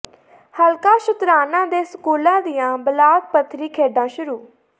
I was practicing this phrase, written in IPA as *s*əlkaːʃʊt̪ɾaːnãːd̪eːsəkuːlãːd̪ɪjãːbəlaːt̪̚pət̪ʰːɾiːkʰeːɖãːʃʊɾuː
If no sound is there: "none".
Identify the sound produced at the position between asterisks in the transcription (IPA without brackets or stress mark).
h